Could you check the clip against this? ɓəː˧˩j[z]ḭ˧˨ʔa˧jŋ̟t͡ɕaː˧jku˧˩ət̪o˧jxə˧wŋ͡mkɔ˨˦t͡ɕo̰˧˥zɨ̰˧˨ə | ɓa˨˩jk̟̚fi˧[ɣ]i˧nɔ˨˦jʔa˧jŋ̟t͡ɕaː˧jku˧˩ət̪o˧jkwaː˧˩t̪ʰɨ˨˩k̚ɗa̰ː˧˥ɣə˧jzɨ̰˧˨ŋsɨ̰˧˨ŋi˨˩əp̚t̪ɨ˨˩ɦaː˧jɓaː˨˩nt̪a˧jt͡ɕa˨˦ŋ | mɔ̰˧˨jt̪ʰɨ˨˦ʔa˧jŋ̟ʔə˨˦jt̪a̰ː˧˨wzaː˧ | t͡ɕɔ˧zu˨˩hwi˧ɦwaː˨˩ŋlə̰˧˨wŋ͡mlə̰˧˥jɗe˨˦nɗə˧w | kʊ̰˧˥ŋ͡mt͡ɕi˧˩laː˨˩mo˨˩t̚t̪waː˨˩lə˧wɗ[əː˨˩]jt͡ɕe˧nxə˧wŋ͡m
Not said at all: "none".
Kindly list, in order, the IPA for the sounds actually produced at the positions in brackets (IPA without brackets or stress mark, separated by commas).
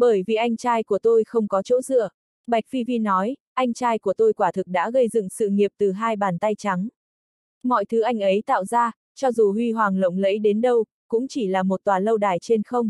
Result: v, v, aː˨˩